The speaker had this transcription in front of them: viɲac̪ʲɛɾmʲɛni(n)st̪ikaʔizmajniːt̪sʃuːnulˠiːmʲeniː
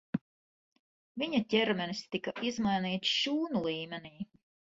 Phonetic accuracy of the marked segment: incorrect: none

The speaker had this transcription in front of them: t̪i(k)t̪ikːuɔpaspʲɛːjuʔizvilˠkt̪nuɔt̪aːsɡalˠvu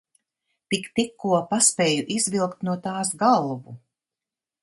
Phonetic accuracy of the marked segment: correct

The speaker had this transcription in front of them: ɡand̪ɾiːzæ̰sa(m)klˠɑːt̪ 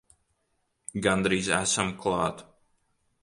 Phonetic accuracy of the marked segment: correct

